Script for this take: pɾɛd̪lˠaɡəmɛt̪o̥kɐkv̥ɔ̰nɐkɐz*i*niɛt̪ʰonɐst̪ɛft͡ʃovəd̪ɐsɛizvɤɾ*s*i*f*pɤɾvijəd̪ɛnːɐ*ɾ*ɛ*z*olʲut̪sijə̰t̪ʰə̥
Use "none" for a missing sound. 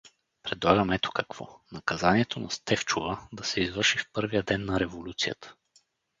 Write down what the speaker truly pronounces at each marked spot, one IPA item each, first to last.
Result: a, ʃ, f, ɾ, v

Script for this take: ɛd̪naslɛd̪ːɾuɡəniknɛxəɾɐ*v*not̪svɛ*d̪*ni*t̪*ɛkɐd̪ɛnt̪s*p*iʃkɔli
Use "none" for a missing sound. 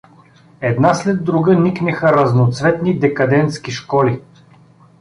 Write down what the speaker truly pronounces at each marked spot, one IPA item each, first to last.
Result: z, t̪, d̪, k

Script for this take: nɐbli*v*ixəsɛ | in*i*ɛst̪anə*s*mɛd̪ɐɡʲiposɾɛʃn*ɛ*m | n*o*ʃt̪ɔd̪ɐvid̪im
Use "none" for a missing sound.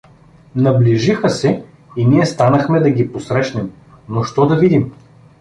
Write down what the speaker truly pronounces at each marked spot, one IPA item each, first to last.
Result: ʒ, i, x, ɛ, o

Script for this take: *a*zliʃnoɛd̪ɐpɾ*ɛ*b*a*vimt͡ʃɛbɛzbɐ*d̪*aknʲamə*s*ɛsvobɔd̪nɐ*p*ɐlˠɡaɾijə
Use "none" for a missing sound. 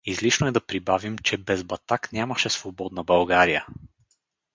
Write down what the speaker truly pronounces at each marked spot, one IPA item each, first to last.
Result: i, i, a, t̪, ʃ, b

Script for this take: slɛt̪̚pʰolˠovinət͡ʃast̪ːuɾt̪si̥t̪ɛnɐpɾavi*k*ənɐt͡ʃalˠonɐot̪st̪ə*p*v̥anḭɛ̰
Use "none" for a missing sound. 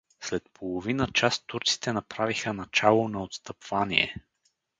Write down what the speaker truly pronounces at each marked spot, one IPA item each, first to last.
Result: x, p

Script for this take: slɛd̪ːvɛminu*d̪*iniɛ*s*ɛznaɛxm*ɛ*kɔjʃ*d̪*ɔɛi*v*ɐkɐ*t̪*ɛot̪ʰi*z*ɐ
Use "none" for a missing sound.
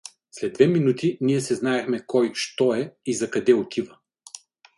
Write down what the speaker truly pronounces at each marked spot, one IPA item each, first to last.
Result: t̪, s, ɛ, t̪, z, d̪, v

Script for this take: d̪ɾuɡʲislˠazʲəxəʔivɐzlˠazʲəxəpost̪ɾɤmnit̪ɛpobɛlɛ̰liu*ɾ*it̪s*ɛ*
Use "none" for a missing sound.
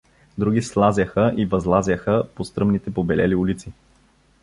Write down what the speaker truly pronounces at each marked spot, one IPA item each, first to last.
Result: l, i

